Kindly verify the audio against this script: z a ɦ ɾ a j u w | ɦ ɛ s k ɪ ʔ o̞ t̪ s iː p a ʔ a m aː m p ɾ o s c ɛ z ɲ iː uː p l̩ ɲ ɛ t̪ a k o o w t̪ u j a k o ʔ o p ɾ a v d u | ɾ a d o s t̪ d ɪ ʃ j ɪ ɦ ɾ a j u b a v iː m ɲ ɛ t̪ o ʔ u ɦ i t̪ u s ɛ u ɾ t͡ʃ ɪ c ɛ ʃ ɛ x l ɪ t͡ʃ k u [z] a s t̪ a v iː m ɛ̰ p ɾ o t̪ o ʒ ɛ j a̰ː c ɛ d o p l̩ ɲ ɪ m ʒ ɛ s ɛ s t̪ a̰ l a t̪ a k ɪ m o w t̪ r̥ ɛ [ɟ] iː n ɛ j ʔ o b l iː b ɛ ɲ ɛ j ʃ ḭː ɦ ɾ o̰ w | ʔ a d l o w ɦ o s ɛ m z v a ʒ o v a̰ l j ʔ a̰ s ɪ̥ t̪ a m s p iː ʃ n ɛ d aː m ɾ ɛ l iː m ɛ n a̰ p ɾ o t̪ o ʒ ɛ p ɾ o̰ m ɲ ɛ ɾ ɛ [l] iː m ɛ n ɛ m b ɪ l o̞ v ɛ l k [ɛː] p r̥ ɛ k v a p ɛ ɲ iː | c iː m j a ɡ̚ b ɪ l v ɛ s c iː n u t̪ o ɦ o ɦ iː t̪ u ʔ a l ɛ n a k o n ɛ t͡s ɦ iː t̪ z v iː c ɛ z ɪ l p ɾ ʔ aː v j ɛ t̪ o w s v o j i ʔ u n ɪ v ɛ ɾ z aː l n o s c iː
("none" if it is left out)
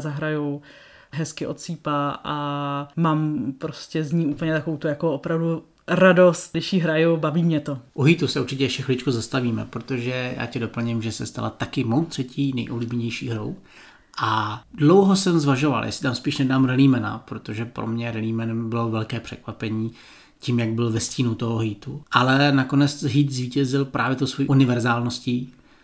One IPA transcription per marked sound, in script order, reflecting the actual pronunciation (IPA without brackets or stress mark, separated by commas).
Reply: z, c, l, ɛː